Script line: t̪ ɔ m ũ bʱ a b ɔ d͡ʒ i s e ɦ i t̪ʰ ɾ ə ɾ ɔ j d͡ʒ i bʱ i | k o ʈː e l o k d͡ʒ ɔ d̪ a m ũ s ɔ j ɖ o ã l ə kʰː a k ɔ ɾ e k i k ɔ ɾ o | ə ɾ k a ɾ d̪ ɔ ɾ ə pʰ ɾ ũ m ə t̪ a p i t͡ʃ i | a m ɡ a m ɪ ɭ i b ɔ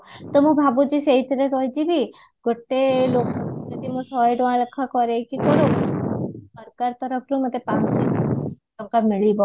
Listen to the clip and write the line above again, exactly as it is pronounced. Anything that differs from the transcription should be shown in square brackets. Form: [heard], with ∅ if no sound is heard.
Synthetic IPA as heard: t̪ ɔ m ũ bʱ a b [u] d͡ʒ i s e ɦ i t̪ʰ ɾ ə ɾ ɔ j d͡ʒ i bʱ i | [ɡ] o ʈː e l o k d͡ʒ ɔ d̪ [i] m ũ s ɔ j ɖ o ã l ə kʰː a k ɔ ɾ e k i k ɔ ɾ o | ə ɾ k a ɾ [t̪] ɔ ɾ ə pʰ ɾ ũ m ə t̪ [e] p [a] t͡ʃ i | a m [k] a m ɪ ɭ i b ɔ